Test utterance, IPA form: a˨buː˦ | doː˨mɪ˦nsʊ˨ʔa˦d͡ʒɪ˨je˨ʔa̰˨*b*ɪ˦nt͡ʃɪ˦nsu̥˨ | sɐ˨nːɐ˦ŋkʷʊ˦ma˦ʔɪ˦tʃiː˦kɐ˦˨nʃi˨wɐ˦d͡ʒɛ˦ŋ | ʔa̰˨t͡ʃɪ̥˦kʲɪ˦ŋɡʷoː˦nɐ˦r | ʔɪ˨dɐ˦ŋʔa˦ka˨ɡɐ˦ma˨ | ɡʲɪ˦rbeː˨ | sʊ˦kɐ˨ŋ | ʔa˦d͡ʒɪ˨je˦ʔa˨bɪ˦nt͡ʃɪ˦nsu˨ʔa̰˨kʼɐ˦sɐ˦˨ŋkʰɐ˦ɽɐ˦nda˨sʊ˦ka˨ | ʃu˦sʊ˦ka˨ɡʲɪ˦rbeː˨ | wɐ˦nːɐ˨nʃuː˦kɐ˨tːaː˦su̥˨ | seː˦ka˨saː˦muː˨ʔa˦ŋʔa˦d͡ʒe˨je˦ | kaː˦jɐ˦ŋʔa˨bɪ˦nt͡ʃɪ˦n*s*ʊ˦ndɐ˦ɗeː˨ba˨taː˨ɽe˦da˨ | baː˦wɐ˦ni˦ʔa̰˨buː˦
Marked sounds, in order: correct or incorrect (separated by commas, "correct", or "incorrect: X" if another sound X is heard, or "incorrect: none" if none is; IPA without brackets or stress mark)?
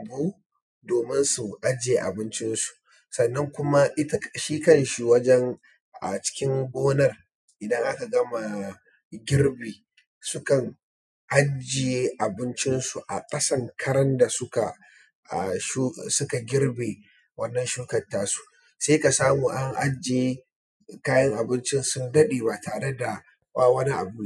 correct, correct